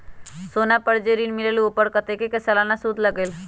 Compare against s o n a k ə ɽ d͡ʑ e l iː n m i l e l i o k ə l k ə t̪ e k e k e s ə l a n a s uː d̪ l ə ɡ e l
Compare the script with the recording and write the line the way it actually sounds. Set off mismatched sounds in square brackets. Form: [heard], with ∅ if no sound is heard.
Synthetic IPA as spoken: s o n a [p] ə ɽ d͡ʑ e [ɾ] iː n m i l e l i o [p] ə [ɽ] k ə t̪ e k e k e s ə l a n a s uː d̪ l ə ɡ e l